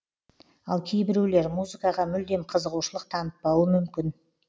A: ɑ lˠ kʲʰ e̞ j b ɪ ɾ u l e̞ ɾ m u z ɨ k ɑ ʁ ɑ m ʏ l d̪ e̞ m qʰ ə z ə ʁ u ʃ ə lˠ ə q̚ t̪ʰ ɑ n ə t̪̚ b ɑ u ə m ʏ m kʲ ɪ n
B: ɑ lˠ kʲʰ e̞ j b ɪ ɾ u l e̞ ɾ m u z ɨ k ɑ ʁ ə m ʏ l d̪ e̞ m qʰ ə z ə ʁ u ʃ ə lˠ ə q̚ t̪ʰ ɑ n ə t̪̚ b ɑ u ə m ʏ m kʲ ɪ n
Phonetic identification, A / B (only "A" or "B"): A